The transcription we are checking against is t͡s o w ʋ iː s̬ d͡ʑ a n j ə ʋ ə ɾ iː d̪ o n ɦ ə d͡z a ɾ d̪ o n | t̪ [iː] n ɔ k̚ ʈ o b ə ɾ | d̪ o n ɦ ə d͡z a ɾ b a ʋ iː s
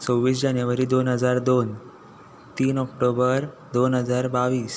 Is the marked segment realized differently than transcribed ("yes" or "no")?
no